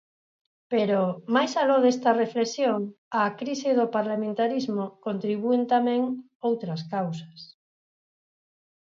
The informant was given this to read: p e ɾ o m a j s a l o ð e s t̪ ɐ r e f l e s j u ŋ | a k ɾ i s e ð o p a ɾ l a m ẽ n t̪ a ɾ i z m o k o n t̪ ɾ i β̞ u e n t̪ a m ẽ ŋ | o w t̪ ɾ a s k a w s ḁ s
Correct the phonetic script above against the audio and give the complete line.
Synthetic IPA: p e ɾ o m a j s a l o ð e s t̪ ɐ r e f l e s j o ŋ | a k ɾ i s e ð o p a ɾ l a m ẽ n t̪ a ɾ i z m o k o n t̪ ɾ i β̞ u e n t̪ a m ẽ ŋ | o w t̪ ɾ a s k a w s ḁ s